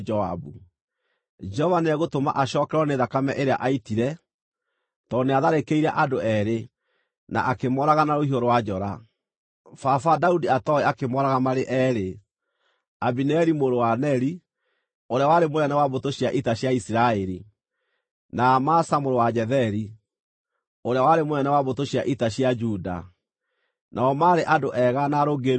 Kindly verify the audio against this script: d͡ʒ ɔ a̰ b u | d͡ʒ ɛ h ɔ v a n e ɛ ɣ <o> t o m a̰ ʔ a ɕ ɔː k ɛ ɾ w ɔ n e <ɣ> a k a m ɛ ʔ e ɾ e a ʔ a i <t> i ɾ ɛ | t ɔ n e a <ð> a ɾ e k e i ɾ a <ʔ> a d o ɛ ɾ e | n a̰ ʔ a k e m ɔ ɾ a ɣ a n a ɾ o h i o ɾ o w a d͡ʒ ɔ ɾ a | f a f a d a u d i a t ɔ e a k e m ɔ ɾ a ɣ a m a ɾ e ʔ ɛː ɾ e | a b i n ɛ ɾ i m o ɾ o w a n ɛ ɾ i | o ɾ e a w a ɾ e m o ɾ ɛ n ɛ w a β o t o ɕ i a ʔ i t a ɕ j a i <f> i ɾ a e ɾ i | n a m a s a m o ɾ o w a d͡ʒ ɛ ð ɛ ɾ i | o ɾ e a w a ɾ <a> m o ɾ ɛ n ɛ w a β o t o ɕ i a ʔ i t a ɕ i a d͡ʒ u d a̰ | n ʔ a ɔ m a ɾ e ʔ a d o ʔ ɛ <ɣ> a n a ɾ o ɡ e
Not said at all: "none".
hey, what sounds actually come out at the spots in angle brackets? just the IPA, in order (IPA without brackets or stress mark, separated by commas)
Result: o, ð, t, ð, ʔ, s, e, ɣ